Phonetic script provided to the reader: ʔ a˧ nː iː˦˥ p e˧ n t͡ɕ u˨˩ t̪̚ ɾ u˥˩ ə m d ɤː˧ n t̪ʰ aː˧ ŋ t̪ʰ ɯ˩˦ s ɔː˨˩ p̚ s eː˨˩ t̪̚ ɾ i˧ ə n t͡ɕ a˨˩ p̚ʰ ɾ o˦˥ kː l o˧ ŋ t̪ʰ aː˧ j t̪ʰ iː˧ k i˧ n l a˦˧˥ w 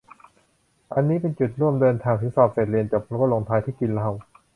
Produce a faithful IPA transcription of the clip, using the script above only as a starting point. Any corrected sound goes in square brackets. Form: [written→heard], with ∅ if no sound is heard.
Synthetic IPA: ʔ a˧ nː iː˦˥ p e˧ n t͡ɕ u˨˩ t̪̚ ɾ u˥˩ ə m d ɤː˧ n t̪ʰ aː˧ ŋ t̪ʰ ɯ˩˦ s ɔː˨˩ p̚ s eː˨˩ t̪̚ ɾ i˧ ə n t͡ɕ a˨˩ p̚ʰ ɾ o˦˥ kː l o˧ ŋ t̪ʰ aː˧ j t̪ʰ [iː˧→iː˥˩] k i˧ n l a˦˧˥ w